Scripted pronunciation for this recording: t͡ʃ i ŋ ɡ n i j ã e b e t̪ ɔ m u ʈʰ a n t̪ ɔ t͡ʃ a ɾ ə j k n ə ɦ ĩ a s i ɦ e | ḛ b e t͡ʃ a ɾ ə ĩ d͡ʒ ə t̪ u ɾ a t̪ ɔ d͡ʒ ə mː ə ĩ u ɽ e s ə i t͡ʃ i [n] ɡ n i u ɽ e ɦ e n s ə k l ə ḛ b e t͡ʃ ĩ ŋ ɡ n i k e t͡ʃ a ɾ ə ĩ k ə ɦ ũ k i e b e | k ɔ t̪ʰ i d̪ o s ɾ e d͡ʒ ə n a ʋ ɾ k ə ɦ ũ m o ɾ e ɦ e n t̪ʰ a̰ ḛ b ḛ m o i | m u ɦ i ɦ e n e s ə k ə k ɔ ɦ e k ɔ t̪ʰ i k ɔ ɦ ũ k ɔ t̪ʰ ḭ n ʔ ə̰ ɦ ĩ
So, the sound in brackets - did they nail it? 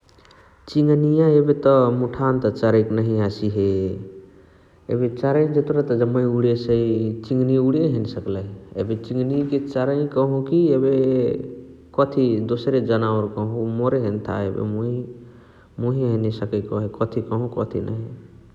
no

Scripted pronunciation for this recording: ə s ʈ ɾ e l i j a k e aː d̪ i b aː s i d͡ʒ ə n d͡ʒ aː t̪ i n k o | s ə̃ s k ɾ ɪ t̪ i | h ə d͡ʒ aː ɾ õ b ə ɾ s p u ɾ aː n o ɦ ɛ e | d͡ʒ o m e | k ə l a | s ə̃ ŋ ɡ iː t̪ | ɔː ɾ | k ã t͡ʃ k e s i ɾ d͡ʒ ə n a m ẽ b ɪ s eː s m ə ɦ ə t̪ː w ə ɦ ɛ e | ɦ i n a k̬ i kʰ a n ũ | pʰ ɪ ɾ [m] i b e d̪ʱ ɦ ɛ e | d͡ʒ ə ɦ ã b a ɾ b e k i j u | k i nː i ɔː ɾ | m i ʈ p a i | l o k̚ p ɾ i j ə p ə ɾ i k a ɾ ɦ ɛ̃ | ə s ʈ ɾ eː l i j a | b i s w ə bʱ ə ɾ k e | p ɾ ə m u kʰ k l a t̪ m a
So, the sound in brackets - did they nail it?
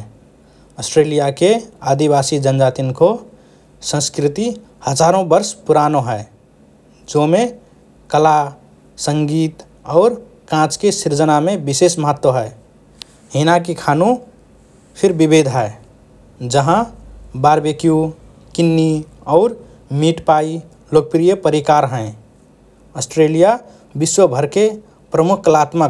no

